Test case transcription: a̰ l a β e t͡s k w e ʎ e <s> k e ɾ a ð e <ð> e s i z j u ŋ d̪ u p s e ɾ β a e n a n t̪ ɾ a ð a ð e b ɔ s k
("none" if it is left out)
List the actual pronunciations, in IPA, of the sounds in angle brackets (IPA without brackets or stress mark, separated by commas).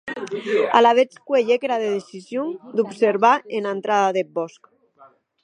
none, ð